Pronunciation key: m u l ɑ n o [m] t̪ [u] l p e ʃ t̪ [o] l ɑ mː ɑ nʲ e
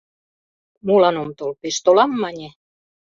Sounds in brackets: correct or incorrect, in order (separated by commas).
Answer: correct, incorrect, correct